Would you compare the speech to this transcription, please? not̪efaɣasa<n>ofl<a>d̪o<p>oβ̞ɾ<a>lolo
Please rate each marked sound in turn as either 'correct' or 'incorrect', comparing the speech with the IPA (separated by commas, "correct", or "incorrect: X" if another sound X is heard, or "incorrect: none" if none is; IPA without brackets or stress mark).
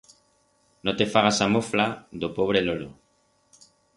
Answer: incorrect: m, correct, correct, incorrect: e